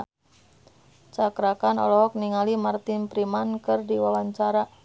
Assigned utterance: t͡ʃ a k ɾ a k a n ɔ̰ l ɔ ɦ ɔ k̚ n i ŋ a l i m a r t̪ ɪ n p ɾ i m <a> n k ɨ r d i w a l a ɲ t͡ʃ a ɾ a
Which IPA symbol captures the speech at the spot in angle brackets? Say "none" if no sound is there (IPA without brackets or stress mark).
a